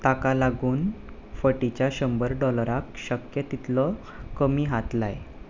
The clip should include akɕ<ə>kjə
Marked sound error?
no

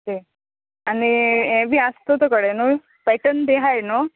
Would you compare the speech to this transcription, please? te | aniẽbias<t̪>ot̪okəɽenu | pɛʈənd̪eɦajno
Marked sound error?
no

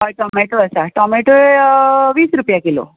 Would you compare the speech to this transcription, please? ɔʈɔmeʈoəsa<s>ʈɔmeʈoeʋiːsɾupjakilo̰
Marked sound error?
yes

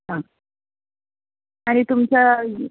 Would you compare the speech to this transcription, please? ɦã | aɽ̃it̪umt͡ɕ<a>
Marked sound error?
no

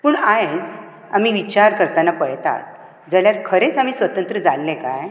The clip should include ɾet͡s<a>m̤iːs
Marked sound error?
no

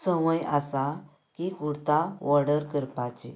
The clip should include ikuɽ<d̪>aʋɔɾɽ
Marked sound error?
yes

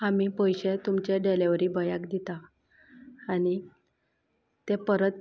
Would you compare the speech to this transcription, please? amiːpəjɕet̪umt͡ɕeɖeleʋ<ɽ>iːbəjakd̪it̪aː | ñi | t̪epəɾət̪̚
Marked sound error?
yes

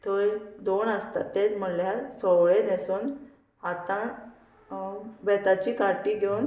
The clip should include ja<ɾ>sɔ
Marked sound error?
no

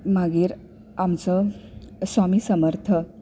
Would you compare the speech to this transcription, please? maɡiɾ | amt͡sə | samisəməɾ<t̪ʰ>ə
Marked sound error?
no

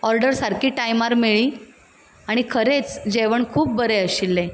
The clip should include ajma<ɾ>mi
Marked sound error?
no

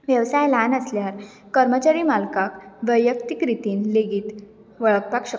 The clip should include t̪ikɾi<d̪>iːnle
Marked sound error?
yes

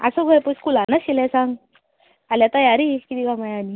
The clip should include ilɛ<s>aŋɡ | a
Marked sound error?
no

